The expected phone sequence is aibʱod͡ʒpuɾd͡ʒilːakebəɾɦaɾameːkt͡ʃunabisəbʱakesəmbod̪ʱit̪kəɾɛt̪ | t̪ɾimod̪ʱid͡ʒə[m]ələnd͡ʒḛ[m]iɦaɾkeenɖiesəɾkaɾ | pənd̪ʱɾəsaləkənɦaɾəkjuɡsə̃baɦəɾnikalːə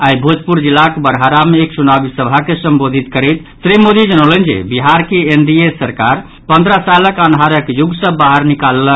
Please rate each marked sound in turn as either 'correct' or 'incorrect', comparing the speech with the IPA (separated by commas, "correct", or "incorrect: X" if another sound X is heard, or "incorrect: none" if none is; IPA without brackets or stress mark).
incorrect: n, incorrect: b